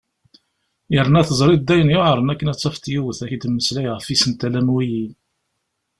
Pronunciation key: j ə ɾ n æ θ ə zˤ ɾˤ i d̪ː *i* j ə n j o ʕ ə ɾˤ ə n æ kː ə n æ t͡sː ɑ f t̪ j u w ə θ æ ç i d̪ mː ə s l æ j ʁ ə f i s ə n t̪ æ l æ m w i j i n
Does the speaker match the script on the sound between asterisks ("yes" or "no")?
no